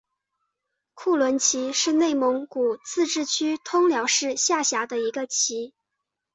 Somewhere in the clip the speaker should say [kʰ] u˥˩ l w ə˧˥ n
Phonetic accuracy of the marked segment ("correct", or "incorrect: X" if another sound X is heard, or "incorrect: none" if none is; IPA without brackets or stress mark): correct